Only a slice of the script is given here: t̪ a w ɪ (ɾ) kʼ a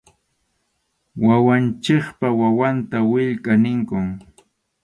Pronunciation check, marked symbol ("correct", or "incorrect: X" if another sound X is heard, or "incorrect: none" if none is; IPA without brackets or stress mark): incorrect: ʎ